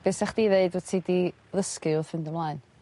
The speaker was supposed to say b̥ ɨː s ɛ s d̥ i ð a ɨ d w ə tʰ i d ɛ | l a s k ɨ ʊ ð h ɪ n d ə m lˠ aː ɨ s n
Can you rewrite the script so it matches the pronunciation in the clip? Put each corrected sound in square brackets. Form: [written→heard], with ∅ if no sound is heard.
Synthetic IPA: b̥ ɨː s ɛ [s→χ] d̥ i ð [a→e] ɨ d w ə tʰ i d [ɛ→i] | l [a→ə] s k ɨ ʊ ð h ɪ n d ə m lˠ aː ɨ [s→∅] n